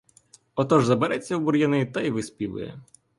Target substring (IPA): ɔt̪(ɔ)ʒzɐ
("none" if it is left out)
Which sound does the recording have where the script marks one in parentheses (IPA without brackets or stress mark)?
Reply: ɔ